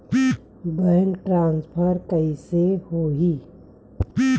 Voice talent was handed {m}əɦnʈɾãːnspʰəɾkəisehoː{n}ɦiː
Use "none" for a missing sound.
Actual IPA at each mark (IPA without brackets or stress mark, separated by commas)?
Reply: b, none